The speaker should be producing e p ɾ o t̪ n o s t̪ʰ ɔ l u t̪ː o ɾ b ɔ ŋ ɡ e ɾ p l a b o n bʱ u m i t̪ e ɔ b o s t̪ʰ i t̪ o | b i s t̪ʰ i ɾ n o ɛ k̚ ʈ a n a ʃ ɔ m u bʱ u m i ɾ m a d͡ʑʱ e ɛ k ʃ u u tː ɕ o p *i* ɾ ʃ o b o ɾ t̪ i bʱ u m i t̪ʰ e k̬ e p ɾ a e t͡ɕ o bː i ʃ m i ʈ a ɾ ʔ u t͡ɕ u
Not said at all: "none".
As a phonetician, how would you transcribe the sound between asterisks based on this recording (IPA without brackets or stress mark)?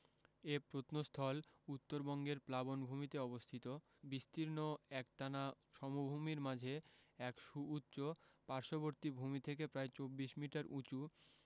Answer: a